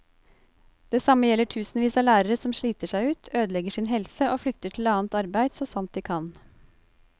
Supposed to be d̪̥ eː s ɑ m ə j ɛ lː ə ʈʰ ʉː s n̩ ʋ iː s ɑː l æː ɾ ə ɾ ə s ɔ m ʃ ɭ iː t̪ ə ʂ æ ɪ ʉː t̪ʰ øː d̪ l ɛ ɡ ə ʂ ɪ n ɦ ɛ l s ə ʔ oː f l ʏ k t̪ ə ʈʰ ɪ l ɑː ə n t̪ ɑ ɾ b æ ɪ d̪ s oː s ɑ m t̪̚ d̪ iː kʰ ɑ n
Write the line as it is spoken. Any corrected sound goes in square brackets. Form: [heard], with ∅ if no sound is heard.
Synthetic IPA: d̪̥ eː s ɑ m ə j ɛ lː ə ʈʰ ʉː s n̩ ʋ iː s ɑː l æː ɾ ə ɾ ə s ɔ m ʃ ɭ iː t̪ ə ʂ æ ɪ ʉː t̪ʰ øː d̪ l ɛ ɡ ə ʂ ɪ n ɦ ɛ l s ə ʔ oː f l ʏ k t̪ ə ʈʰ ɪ l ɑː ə n t̪ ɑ ɾ b æ ɪ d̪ s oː s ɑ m t̪̚ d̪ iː kʰ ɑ n